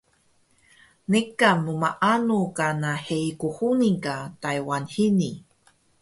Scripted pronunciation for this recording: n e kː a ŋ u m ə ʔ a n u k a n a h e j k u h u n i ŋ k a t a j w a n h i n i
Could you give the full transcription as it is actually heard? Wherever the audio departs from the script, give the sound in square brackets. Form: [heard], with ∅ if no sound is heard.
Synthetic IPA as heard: n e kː a [m] u m [a] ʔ a n u k a n a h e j k u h u n i ŋ k a t a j w a n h i n i